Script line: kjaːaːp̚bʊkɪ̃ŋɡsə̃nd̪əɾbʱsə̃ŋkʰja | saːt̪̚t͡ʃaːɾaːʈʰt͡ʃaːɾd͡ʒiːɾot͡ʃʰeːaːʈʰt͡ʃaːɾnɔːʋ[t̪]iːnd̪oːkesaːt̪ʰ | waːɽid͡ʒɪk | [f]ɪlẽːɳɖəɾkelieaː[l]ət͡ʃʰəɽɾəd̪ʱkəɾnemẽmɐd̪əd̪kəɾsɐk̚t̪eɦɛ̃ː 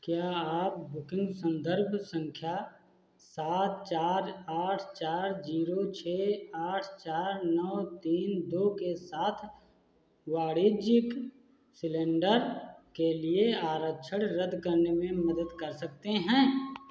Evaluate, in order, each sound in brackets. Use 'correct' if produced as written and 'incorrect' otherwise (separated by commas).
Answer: correct, incorrect, incorrect